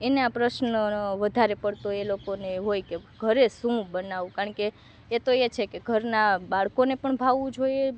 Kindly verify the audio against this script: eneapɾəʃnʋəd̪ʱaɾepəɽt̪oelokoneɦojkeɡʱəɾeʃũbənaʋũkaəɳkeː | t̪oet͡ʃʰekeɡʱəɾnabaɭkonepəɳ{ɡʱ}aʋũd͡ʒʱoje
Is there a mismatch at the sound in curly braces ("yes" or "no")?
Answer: yes